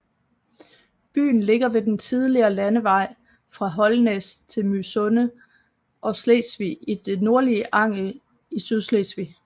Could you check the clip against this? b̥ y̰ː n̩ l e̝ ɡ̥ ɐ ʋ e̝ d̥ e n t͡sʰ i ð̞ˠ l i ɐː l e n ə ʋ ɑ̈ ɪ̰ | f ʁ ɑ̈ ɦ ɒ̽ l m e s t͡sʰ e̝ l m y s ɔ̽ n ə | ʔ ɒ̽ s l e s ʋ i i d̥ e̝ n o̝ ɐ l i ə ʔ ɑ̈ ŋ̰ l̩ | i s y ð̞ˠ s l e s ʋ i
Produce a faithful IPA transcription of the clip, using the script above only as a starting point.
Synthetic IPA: b̥ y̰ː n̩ l e̝ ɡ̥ ɐ ʋ e̝ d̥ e n t͡sʰ i ð̞ˠ l i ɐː l æ n ə ʋ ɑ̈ ɪ̰ | f ʁ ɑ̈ ɦ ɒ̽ l n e s t͡sʰ e̝ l m y s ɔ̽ n ə | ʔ ɒ̽ s l e s ʋ i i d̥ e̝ n o̝ ɐ l i ə ʔ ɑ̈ ŋ̰ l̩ | i s y ð̞ˠ s l e s ʋ i